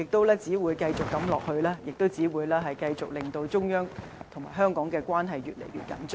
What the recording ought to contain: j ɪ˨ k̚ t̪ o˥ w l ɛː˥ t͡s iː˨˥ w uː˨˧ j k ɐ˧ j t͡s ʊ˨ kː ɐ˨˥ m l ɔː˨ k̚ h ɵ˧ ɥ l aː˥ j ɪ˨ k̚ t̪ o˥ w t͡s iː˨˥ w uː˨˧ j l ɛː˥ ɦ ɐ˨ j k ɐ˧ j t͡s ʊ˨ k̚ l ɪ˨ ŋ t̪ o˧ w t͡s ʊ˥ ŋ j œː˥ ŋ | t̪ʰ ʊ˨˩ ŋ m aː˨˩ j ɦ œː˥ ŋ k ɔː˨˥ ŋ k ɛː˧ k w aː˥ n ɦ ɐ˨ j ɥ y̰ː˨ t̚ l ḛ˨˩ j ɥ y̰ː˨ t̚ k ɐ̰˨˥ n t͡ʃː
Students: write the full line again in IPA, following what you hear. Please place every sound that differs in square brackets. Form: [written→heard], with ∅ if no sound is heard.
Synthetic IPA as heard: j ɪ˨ k̚ t̪ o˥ w l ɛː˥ t͡s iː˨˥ w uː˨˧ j k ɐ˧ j t͡s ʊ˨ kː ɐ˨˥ m l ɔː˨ k̚ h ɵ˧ ɥ l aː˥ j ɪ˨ k̚ t̪ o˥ w t͡s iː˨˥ w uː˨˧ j l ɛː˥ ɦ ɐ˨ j k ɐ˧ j t͡s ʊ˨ k̚ l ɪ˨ ŋ t̪ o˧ w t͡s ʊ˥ ŋ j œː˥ ŋ | t̪ʰ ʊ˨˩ ŋ m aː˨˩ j ɦ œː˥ ŋ k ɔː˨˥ ŋ k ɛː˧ k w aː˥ n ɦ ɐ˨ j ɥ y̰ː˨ t̚ l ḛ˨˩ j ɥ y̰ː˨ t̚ k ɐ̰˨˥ n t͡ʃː